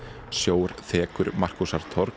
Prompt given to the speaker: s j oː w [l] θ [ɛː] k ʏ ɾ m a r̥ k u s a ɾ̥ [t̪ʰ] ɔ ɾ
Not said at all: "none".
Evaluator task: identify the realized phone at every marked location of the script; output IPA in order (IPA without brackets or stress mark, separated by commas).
ɾ, ɛː, t̪ʰ